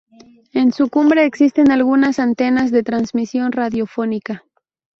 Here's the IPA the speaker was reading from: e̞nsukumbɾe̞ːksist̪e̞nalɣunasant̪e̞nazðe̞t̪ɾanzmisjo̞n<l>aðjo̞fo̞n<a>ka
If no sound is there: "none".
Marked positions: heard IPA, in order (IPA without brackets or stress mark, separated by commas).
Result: r, i